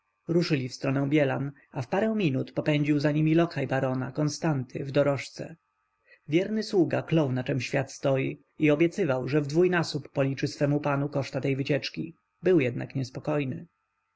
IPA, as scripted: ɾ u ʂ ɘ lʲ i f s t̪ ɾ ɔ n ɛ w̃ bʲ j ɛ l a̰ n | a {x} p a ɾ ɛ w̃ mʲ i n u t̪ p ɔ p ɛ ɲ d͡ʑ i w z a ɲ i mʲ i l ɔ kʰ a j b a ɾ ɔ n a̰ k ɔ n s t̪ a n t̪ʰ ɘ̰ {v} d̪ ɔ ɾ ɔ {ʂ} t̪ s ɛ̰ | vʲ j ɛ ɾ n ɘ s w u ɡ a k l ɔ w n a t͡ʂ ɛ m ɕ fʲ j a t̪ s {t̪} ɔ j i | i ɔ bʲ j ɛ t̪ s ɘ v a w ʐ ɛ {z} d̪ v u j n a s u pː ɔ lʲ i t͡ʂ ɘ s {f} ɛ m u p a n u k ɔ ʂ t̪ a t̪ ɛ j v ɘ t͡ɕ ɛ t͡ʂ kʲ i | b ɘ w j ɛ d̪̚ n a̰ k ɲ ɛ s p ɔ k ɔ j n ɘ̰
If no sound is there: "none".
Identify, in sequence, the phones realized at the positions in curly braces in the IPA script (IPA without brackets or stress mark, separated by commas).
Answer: f, v, ʂ, t̪, v, f